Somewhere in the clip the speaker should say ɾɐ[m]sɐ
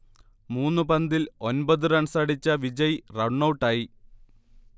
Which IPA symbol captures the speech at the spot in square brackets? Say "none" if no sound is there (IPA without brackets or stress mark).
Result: ɳ